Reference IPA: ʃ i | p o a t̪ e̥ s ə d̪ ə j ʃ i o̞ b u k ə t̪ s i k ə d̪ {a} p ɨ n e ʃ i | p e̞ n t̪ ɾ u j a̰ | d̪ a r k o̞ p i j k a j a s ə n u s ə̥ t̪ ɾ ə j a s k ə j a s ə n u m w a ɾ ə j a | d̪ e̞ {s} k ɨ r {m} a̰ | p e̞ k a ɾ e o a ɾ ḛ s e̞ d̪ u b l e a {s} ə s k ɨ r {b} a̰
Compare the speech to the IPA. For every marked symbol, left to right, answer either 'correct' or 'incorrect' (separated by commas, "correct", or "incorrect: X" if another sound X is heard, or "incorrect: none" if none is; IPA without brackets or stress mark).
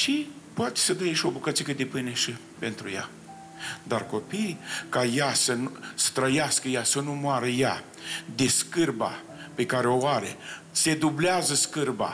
incorrect: e, correct, incorrect: b, incorrect: z, correct